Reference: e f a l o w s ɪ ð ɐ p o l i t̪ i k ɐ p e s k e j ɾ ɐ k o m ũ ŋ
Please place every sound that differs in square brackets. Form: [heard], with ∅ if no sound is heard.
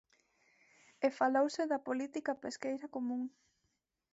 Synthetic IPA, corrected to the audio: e f a l o w s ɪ ð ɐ p o l i t̪ i k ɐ p e s k e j ɾ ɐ k o m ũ ŋ